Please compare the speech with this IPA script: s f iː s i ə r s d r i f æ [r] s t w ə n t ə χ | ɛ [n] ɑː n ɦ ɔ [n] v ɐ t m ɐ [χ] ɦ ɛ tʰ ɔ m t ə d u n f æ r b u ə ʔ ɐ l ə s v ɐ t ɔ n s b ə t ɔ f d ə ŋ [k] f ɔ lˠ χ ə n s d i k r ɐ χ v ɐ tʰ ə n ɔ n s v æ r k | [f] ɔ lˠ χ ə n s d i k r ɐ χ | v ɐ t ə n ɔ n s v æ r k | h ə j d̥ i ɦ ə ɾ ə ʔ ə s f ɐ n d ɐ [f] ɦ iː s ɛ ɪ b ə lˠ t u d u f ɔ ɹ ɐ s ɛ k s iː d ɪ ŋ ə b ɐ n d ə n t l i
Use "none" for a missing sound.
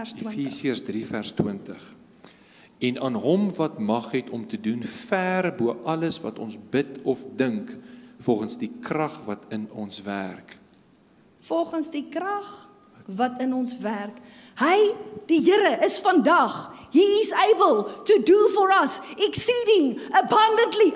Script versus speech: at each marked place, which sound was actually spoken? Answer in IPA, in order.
r, n, m, χ, k, f, χ

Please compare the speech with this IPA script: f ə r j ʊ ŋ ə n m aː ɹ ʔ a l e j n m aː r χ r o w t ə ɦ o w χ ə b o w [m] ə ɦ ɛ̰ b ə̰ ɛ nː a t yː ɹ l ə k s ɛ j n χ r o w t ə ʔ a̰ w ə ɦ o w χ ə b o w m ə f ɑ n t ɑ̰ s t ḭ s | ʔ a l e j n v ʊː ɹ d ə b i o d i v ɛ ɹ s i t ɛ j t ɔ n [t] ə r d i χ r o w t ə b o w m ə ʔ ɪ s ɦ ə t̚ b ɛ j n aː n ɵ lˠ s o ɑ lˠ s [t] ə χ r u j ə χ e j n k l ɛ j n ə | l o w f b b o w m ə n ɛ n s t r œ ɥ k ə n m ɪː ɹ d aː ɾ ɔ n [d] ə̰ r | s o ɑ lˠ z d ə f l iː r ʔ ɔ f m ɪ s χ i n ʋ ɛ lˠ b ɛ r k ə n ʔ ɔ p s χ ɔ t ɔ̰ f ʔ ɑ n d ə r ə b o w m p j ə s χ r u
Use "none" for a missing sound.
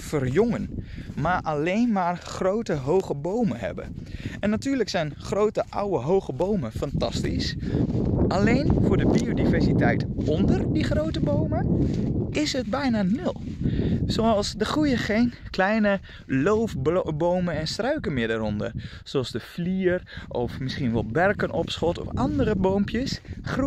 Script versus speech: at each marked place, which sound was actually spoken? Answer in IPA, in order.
m, d, d, d

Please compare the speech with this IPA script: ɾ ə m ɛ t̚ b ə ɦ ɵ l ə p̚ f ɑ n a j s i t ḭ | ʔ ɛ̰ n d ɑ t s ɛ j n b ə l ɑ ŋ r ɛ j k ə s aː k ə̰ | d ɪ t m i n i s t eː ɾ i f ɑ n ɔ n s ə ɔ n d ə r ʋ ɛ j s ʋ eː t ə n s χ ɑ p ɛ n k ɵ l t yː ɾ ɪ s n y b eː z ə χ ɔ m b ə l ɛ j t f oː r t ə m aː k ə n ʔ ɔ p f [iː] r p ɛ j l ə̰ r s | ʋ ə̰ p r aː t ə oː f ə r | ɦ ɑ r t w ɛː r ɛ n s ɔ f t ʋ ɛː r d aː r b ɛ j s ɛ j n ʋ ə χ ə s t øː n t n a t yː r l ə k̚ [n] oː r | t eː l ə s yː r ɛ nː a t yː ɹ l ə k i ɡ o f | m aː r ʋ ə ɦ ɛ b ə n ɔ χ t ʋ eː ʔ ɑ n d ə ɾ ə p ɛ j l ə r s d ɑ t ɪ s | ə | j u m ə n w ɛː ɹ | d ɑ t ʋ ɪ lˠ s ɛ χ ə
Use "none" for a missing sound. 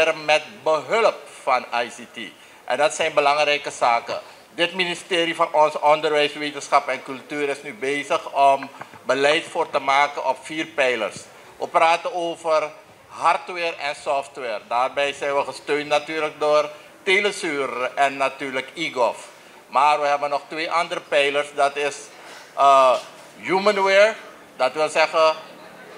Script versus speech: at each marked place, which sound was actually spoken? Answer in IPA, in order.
iː, d

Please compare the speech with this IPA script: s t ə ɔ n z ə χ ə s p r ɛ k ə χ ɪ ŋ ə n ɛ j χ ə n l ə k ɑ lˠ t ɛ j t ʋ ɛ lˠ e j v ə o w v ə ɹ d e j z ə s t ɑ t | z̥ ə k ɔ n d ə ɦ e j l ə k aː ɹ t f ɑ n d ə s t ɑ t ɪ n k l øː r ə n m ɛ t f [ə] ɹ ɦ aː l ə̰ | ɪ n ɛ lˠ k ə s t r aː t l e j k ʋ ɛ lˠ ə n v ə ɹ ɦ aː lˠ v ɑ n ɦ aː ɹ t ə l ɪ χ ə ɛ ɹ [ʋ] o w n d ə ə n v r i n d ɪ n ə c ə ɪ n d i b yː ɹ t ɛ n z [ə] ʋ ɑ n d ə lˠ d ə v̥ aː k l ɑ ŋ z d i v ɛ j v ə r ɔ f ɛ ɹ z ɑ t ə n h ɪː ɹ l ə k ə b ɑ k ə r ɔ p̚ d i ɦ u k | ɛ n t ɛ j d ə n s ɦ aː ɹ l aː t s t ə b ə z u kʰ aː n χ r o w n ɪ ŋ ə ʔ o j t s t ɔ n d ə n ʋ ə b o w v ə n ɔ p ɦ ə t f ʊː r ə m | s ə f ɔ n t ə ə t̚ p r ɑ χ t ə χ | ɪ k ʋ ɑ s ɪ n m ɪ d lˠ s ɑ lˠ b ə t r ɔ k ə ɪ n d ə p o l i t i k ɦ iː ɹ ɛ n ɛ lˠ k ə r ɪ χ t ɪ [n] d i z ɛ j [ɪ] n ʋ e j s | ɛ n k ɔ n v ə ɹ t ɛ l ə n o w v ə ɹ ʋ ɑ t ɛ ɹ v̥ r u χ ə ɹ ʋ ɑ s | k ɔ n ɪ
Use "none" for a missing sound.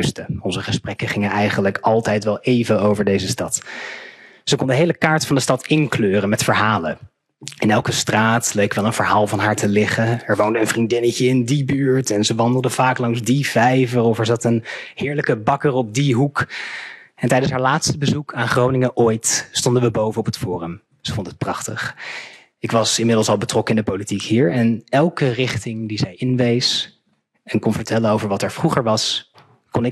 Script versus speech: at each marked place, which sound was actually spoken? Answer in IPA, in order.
ə, ʋ, ə, ŋ, ɪ

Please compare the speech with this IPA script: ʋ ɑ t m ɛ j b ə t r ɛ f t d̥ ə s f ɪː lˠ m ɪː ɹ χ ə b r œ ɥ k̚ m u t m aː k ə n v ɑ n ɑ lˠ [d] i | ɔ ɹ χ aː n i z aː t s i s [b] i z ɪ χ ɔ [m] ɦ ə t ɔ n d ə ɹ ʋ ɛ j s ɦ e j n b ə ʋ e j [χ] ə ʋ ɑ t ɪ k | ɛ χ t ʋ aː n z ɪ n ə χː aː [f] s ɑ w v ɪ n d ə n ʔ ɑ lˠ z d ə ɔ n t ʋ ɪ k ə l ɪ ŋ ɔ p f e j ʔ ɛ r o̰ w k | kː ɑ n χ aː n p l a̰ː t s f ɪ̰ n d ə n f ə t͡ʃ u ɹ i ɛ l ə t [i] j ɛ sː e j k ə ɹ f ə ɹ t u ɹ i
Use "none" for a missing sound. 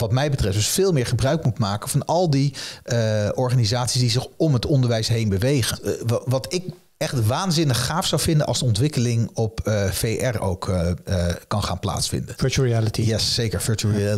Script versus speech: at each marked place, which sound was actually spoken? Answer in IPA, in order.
d, d, m, χ, f, i

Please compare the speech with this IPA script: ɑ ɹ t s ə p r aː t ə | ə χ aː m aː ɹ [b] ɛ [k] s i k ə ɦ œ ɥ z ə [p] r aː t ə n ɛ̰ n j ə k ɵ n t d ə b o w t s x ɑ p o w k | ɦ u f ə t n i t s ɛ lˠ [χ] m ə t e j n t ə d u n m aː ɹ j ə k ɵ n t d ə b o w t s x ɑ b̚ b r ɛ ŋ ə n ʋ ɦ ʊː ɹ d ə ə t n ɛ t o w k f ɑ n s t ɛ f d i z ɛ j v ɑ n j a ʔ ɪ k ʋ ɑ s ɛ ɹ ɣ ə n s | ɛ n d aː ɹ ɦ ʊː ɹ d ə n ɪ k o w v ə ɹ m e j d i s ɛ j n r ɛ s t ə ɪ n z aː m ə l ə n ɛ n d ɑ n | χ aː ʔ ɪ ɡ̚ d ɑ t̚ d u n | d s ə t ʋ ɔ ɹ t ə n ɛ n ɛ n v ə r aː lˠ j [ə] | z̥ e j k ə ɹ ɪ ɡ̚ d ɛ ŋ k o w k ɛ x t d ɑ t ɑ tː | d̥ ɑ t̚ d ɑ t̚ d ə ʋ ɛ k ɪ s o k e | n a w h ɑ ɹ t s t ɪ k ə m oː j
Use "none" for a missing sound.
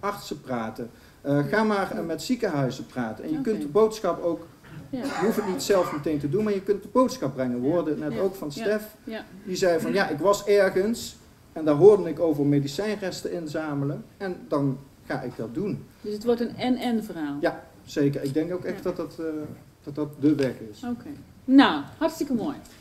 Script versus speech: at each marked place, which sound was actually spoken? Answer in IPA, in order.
m, t, p, f, a

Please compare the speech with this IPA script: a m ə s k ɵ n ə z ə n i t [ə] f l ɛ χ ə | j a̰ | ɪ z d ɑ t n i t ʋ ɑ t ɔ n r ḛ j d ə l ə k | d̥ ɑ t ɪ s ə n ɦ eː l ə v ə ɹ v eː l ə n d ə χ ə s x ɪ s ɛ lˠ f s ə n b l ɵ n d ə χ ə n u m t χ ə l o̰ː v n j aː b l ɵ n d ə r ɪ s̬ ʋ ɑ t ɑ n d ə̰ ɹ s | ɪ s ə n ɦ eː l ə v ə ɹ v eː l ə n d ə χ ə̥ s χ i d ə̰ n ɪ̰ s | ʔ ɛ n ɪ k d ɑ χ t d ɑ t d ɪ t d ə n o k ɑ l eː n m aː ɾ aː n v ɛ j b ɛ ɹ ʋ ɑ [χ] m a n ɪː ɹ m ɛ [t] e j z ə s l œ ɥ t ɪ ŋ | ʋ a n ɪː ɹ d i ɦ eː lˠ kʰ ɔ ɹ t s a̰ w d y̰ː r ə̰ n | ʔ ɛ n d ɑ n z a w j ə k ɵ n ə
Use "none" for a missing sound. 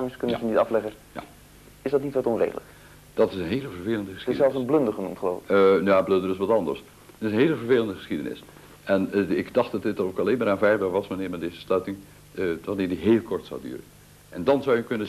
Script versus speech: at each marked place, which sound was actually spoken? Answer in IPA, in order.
ɑ, s, d

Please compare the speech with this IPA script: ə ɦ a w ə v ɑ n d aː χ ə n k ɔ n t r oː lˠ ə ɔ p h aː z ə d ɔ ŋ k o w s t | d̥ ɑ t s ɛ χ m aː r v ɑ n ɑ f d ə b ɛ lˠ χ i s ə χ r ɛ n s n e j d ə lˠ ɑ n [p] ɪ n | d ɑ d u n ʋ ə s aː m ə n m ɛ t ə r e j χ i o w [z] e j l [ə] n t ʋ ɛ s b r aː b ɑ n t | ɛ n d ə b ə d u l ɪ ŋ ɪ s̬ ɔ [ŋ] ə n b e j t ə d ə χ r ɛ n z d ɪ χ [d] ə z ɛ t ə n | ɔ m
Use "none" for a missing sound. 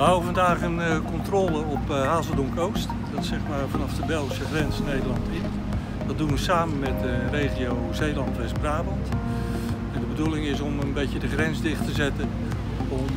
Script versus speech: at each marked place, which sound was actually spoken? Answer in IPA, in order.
t, z, ɑ, m, t

